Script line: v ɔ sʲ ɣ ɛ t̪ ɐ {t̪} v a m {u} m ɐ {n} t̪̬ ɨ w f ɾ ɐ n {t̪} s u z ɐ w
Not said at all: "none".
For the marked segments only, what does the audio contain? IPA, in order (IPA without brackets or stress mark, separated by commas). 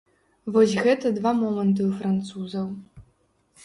d̪, ɔ, n, t̪